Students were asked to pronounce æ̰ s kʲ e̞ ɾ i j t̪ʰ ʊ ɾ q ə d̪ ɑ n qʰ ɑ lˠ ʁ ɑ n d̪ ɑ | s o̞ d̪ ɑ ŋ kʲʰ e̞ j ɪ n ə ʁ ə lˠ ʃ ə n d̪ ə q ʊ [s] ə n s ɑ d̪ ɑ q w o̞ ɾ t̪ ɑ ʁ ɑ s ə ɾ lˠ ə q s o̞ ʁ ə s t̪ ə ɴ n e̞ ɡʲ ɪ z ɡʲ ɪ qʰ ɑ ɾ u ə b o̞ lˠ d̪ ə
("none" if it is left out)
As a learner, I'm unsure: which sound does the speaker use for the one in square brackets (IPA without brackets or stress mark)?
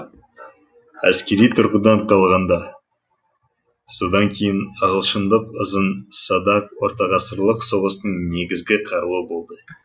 z